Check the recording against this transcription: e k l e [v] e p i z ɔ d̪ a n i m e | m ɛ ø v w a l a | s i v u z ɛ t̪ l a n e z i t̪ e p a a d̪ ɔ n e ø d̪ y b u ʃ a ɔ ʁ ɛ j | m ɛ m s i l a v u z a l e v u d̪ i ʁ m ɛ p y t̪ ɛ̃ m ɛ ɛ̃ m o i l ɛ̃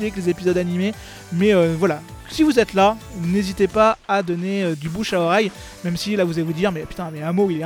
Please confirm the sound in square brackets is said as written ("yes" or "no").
no